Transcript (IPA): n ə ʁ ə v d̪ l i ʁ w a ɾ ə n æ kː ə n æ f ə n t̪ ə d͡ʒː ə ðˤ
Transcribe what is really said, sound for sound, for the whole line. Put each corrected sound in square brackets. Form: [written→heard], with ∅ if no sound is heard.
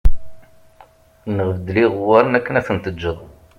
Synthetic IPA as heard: n ə ʁ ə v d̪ l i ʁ w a ɾ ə n æ kː ə n æ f ə n t̪ ə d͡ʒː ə ðˤ